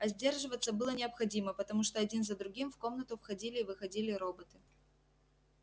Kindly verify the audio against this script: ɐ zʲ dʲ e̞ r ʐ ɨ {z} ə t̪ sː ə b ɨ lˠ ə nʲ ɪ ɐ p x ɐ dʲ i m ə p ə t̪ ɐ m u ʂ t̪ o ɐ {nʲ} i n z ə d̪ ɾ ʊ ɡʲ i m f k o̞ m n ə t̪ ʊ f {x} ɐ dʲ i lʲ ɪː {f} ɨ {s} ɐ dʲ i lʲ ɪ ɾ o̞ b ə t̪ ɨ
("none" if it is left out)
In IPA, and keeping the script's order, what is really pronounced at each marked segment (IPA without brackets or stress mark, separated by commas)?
v, dʲ, x, v, x